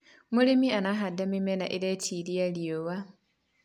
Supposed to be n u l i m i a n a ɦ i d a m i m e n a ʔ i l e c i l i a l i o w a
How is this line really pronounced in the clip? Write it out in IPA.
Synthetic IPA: m u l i m i a n a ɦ a d a m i m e n a ʔ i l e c i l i a l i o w a